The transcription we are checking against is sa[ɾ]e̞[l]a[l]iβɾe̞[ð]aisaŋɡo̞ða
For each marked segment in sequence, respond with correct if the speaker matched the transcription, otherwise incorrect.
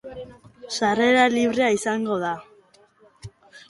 incorrect: r, incorrect: ɾ, correct, incorrect: none

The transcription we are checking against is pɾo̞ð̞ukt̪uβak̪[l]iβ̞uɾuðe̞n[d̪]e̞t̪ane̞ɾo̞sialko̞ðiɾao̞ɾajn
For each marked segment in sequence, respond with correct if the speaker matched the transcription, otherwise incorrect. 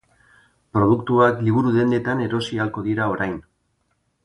correct, correct

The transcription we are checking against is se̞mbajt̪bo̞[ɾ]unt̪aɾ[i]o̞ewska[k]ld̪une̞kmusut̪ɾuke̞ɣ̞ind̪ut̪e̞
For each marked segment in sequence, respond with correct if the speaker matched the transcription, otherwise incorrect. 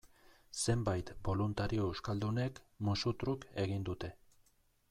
incorrect: l, correct, incorrect: none

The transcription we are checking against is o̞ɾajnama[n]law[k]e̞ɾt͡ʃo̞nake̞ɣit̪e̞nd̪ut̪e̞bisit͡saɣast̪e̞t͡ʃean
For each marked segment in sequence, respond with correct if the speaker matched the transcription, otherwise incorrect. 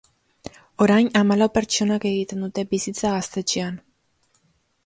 incorrect: none, incorrect: p

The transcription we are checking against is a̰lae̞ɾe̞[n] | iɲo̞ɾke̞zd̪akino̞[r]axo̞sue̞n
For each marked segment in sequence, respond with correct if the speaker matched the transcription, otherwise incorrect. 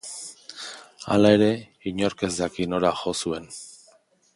incorrect: none, incorrect: ɾ

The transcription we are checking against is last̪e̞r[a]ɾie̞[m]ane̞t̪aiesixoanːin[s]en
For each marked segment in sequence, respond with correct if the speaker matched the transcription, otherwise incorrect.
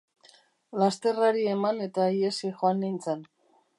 correct, correct, incorrect: t͡s

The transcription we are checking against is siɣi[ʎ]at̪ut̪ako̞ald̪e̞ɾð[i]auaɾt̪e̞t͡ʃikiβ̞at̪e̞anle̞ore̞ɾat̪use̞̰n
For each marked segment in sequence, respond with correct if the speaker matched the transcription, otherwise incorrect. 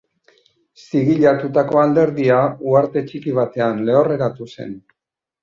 correct, correct

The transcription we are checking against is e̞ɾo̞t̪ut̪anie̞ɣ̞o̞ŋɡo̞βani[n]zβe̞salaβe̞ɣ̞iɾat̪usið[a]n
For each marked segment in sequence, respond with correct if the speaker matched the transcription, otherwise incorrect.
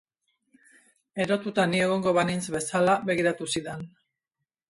correct, incorrect: e

